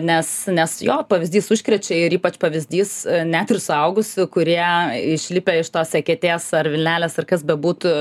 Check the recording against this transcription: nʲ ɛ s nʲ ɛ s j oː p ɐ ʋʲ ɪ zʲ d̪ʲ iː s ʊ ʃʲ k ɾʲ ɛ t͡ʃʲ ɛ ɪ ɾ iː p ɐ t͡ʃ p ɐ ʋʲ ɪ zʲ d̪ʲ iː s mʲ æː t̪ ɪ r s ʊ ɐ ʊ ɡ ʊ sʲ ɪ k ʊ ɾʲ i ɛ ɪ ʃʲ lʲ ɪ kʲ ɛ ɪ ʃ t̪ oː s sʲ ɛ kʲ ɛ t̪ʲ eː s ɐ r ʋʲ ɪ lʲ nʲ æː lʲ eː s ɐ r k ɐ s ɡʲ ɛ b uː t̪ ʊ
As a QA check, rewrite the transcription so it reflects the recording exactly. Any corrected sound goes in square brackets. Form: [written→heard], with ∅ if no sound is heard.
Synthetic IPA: nʲ ɛ s nʲ ɛ s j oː p ɐ ʋʲ ɪ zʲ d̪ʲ iː s ʊ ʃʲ k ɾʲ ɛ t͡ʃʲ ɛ ɪ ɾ iː p ɐ t͡ʃ p ɐ ʋʲ ɪ zʲ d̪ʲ iː s [mʲ→nʲ] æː t̪ ɪ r s ʊ ɐ ʊ ɡ ʊ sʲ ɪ k ʊ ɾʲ i ɛ ɪ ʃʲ lʲ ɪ [kʲ→pʲ] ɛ ɪ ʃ t̪ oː s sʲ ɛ kʲ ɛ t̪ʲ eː s ɐ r ʋʲ ɪ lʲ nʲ æː lʲ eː s ɐ r k ɐ s [ɡʲ→bʲ] ɛ b uː t̪ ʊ

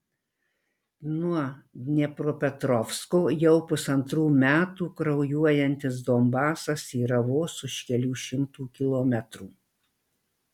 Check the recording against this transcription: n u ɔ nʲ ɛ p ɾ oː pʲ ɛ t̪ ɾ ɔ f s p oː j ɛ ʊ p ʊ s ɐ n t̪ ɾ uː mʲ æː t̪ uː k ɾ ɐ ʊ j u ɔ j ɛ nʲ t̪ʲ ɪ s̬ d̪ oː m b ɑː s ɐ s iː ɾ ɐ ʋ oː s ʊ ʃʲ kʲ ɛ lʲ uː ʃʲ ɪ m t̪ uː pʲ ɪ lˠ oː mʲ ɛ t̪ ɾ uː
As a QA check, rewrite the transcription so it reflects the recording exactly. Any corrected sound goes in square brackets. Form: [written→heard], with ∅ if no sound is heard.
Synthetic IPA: n u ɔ nʲ ɛ p ɾ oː pʲ ɛ t̪ ɾ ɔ f s [p→k] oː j ɛ ʊ p ʊ s ɐ n t̪ ɾ uː mʲ æː t̪ uː k ɾ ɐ ʊ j u ɔ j ɛ nʲ t̪ʲ ɪ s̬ d̪ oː m b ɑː s ɐ s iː ɾ ɐ ʋ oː s ʊ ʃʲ kʲ ɛ lʲ uː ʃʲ ɪ m t̪ uː [pʲ→kʲ] ɪ lˠ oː mʲ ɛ t̪ ɾ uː

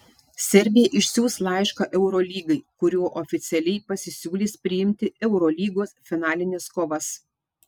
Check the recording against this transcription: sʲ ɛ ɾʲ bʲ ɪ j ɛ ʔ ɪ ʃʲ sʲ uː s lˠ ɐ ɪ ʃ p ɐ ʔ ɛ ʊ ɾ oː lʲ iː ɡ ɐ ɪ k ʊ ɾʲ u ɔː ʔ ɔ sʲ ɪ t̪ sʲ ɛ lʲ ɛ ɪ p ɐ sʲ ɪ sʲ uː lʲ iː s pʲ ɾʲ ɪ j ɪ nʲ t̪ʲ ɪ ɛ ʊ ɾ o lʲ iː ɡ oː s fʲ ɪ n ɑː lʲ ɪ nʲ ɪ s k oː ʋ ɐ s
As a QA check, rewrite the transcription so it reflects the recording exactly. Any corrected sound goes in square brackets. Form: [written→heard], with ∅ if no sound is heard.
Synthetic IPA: sʲ ɛ ɾʲ bʲ ɪ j ɛ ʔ ɪ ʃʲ sʲ uː s lˠ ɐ ɪ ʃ [p→k] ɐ ʔ ɛ ʊ ɾ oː lʲ iː ɡ ɐ ɪ k ʊ ɾʲ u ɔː ʔ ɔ [sʲ→fʲ] ɪ t̪ sʲ ɛ lʲ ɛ ɪ p ɐ sʲ ɪ sʲ uː lʲ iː s pʲ ɾʲ ɪ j ɪ [nʲ→mʲ] t̪ʲ ɪ ɛ ʊ ɾ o lʲ iː ɡ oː s fʲ ɪ n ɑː lʲ ɪ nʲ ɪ s k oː ʋ ɐ s

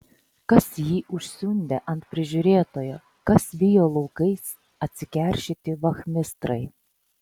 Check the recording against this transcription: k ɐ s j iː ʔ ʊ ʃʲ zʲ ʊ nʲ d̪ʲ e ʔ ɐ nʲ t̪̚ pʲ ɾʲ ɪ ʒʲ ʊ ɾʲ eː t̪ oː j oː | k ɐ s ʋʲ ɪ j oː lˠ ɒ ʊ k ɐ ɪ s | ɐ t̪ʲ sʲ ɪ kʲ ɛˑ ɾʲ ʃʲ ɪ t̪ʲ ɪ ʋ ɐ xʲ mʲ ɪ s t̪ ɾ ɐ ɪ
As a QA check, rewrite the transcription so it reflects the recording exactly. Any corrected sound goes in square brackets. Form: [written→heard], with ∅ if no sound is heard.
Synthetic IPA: k ɐ s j iː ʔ ʊ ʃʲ [zʲ→sʲ] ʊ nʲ d̪ʲ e ʔ ɐ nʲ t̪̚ pʲ ɾʲ ɪ ʒʲ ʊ ɾʲ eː t̪ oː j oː | k ɐ s ʋʲ ɪ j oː lˠ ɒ ʊ k ɐ ɪ s | ɐ t̪ʲ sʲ ɪ kʲ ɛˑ ɾʲ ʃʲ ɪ t̪ʲ ɪ ʋ ɐ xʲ mʲ ɪ s t̪ ɾ ɐ ɪ

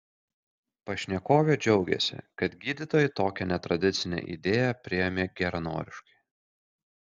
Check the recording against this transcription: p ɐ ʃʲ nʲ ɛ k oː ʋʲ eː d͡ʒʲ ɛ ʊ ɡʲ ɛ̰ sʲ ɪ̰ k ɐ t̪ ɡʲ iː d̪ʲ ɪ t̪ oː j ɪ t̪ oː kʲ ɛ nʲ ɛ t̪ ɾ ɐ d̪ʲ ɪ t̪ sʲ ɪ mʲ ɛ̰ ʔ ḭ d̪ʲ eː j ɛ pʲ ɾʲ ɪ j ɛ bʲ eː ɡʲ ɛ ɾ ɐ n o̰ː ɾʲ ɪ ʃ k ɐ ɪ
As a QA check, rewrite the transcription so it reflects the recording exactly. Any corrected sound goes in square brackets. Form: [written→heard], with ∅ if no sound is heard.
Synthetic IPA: p ɐ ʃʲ nʲ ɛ k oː ʋʲ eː d͡ʒʲ ɛ ʊ ɡʲ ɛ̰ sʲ ɪ̰ k ɐ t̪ ɡʲ iː d̪ʲ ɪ t̪ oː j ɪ t̪ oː kʲ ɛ nʲ ɛ t̪ ɾ ɐ d̪ʲ ɪ t̪ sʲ ɪ [mʲ→nʲ] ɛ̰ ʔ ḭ d̪ʲ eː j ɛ pʲ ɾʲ ɪ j ɛ [bʲ→mʲ] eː ɡʲ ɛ ɾ ɐ n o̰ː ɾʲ ɪ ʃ k ɐ ɪ

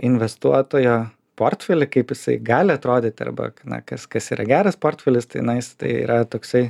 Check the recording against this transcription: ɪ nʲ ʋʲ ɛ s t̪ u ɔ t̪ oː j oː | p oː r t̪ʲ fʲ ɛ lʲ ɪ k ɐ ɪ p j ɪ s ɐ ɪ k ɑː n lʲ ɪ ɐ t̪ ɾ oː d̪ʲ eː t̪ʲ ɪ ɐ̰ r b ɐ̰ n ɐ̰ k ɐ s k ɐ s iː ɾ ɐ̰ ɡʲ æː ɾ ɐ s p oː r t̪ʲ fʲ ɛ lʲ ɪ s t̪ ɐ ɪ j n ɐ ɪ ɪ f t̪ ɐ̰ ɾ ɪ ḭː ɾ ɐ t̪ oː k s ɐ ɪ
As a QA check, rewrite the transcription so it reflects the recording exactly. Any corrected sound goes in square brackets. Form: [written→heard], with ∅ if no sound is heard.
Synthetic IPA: ɪ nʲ ʋʲ ɛ s t̪ u ɔ t̪ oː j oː | p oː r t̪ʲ fʲ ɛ lʲ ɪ k ɐ ɪ p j ɪ s ɐ ɪ [k→ɡ] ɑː [n→∅] lʲ ɪ ɐ t̪ ɾ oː d̪ʲ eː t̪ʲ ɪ ɐ̰ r b ɐ̰ n ɐ̰ k ɐ s k ɐ s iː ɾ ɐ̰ ɡʲ æː ɾ ɐ s p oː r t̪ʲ fʲ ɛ lʲ ɪ s t̪ ɐ ɪ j n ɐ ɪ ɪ [f→s] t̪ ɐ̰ [ɾ→∅] ɪ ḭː ɾ ɐ t̪ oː k s ɐ ɪ

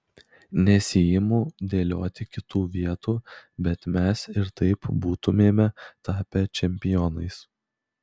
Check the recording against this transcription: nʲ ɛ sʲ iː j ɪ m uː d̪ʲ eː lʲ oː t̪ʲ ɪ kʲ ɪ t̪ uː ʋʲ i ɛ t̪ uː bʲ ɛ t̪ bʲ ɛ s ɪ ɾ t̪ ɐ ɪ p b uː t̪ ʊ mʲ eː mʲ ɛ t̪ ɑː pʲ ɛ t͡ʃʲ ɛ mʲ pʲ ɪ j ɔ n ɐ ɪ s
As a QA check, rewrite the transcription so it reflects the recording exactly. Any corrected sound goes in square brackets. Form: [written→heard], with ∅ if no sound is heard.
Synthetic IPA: nʲ ɛ sʲ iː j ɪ m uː d̪ʲ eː lʲ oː t̪ʲ ɪ kʲ ɪ t̪ uː ʋʲ i ɛ t̪ uː bʲ ɛ t̪ [bʲ→mʲ] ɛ s ɪ ɾ t̪ ɐ ɪ p b uː t̪ ʊ mʲ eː mʲ ɛ t̪ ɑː pʲ ɛ t͡ʃʲ ɛ mʲ pʲ ɪ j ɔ n ɐ ɪ s

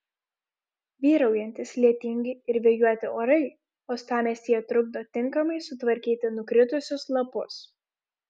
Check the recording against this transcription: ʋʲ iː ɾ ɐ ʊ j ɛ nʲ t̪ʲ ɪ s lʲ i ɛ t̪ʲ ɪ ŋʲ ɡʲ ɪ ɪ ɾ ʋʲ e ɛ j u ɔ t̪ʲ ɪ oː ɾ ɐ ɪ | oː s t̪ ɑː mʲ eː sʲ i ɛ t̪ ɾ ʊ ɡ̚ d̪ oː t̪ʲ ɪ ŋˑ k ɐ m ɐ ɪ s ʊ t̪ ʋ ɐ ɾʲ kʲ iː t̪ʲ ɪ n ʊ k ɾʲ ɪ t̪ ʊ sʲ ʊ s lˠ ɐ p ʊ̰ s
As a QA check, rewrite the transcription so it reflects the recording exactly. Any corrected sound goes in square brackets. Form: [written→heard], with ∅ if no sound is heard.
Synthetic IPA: ʋʲ iː ɾ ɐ ʊ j ɛ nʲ t̪ʲ ɪ s lʲ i ɛ t̪ʲ ɪ ŋʲ ɡʲ ɪ ɪ ɾ ʋʲ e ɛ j u ɔ t̪ʲ ɪ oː ɾ ɐ ɪ | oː s t̪ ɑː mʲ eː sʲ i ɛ t̪ ɾ ʊ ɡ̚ d̪ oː t̪ʲ ɪ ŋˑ k ɐ m ɐ ɪ s ʊ t̪ ʋ ɐ ɾʲ kʲ iː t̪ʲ ɪ n ʊ k ɾʲ ɪ t̪ ʊ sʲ ʊ s lˠ ɐ p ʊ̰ s

